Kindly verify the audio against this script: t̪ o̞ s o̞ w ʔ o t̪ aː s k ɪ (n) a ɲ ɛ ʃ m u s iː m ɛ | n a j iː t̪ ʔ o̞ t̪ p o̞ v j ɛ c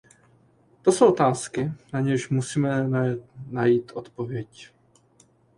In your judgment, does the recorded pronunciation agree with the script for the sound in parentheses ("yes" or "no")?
yes